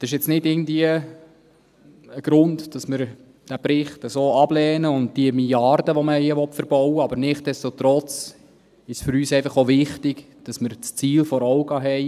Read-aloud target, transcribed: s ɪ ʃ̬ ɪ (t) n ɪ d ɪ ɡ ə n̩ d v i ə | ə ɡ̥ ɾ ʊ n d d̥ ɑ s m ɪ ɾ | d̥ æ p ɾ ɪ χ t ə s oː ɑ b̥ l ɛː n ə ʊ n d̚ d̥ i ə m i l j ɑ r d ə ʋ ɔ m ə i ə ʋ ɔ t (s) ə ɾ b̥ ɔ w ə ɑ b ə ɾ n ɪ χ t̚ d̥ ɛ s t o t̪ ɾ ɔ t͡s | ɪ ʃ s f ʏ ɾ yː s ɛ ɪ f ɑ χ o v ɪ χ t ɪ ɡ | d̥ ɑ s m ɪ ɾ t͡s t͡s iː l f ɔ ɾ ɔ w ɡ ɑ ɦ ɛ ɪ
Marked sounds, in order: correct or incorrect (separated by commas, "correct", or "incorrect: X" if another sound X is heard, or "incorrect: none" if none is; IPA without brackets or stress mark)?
incorrect: t͡s, incorrect: f